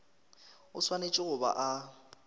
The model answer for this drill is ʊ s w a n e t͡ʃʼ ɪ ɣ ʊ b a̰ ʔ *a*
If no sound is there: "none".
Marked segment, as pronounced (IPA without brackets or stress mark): a